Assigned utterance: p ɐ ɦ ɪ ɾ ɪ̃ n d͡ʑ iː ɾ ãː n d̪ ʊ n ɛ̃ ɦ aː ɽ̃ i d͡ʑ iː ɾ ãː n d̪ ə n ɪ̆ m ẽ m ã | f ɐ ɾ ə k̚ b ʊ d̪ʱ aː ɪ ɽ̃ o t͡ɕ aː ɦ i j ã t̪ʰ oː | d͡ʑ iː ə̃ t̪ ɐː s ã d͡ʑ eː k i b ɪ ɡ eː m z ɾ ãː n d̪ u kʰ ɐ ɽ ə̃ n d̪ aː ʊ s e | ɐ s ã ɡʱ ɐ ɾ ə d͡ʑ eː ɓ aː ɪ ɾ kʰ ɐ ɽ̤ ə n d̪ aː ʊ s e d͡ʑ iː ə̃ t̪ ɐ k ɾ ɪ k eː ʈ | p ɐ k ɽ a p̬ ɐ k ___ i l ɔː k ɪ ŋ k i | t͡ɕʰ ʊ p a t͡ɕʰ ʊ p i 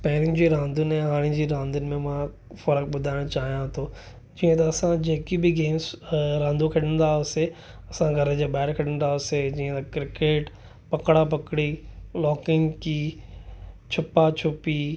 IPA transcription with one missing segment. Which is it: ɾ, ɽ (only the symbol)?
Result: ɽ